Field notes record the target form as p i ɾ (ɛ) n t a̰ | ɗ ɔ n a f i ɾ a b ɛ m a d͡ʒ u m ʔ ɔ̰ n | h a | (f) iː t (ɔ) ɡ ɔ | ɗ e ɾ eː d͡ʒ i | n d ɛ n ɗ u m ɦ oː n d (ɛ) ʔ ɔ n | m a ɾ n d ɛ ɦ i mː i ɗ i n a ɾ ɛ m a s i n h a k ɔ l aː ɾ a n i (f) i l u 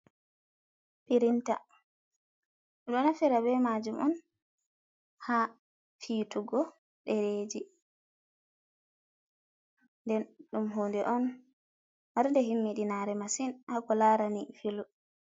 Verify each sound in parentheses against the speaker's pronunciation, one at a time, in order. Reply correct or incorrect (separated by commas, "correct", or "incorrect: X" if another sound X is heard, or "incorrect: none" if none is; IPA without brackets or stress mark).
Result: incorrect: i, correct, incorrect: u, correct, correct